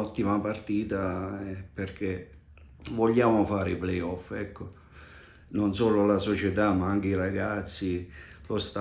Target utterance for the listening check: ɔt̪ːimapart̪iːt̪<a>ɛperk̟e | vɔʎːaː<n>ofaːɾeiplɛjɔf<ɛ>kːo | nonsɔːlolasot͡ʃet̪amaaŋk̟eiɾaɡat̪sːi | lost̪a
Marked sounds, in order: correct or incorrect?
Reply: correct, incorrect: m, correct

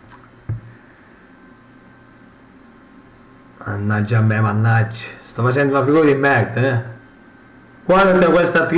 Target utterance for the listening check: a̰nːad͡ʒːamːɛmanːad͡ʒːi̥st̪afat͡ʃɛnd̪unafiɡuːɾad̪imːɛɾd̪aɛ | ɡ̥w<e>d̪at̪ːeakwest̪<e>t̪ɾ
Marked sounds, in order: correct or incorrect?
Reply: incorrect: a, incorrect: a

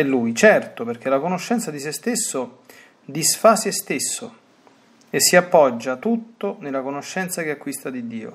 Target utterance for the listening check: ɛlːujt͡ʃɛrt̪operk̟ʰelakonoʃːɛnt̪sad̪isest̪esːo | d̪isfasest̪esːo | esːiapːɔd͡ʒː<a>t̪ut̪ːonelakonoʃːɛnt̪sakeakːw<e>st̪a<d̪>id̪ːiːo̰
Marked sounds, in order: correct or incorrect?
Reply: correct, incorrect: i, correct

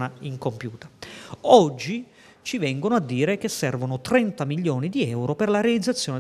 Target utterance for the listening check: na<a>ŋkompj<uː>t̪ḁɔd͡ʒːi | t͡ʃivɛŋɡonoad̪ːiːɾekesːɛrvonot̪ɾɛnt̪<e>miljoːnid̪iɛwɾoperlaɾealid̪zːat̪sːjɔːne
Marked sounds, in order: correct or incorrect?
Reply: incorrect: i, correct, incorrect: a

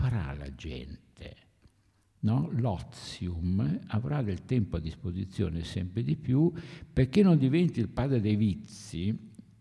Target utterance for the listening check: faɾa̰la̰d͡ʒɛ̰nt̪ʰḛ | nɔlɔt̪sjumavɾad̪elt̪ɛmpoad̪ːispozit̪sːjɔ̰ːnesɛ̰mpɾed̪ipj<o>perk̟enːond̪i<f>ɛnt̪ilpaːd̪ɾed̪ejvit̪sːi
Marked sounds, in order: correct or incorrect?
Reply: incorrect: u, incorrect: v

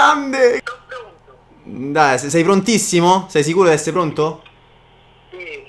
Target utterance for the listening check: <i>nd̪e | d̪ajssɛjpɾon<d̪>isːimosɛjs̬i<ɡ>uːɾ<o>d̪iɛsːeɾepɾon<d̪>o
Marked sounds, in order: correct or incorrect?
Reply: incorrect: a, incorrect: t̪, incorrect: k, correct, incorrect: t̪

